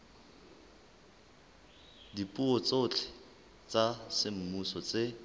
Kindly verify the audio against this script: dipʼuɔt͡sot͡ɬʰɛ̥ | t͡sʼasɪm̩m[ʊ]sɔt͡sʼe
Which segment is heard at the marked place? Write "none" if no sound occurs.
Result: u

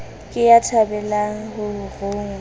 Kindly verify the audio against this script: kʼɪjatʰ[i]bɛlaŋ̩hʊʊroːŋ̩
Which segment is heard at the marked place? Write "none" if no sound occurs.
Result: a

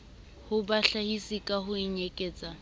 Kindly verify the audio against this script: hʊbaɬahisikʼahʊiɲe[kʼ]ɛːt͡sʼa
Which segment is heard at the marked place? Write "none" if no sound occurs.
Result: kʼ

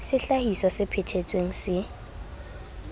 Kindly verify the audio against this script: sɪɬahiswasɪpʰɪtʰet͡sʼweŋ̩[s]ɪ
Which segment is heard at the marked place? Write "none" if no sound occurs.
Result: s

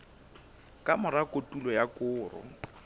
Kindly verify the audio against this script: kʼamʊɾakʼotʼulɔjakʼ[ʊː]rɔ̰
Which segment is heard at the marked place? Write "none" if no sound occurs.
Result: ʊː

